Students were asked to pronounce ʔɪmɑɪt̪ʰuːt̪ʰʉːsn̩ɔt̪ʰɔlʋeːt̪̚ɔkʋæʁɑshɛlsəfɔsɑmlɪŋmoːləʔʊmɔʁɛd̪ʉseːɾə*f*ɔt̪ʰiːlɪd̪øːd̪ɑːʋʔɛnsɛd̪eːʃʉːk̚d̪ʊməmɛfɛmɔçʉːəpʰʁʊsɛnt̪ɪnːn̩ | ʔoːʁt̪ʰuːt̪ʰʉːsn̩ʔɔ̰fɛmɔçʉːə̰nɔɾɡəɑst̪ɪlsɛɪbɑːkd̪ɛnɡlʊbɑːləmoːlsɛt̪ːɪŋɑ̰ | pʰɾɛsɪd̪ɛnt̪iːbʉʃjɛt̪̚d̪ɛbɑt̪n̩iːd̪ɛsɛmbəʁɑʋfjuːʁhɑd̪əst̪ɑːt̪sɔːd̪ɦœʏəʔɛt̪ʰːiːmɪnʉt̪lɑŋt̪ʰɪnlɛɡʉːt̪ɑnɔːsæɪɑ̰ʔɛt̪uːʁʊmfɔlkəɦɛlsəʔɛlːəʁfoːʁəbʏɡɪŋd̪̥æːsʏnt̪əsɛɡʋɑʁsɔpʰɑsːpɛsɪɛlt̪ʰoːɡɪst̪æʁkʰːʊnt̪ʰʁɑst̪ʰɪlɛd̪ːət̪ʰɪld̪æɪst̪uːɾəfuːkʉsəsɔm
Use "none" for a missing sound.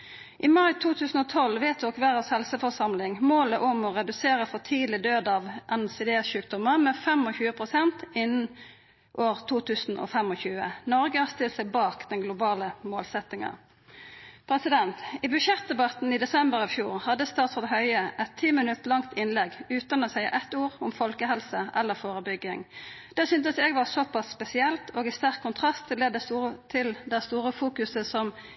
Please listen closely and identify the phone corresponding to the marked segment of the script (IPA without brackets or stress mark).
f